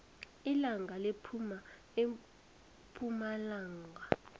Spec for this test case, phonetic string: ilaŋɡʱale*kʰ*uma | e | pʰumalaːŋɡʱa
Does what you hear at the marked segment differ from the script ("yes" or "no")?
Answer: yes